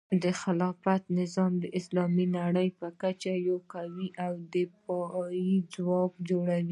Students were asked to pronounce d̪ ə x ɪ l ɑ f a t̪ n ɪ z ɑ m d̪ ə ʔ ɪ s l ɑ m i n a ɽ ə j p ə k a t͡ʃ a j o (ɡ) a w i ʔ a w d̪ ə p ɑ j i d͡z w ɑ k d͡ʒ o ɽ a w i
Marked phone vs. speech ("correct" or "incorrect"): incorrect